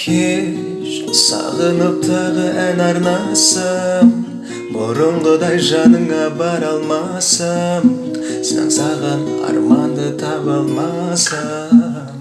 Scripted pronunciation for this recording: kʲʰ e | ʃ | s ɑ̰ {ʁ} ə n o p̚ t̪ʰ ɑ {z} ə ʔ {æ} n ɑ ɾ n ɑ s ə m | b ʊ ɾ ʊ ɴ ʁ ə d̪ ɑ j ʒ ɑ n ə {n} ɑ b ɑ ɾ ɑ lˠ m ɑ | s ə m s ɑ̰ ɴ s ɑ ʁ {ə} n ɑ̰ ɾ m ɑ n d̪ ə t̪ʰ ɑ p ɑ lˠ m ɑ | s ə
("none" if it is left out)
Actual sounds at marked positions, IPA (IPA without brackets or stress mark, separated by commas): ʁ, ʁ, æ, ɴ, ɑ